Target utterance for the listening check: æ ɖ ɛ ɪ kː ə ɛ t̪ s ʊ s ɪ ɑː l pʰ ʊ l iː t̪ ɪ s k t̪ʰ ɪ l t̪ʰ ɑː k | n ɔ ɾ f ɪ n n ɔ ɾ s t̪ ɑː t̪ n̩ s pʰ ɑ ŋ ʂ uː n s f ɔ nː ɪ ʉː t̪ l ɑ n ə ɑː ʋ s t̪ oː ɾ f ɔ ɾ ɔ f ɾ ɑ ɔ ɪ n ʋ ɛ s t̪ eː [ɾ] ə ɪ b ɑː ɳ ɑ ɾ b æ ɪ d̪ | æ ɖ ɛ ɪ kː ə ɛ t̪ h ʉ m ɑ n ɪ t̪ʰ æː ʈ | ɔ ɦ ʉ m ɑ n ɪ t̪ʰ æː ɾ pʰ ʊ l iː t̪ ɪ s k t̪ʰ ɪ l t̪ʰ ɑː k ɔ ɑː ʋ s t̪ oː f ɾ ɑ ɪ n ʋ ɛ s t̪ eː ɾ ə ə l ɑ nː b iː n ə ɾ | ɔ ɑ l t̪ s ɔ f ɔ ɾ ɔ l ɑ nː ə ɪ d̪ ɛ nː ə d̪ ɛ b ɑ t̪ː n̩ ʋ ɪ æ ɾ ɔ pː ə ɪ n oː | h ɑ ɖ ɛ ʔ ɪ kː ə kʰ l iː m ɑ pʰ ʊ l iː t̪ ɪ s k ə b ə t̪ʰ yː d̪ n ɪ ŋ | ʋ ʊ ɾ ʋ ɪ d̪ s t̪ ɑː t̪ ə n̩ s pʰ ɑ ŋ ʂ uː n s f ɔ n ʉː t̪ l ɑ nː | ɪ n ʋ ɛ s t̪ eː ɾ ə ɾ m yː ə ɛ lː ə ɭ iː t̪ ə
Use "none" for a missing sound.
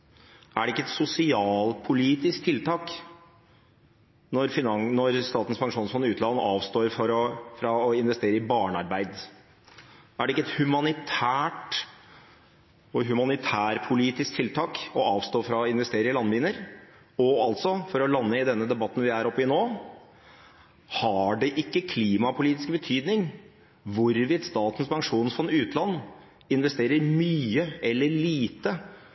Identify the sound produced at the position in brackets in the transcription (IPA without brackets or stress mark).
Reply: ɾ